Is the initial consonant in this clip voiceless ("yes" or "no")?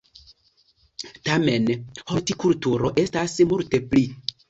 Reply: yes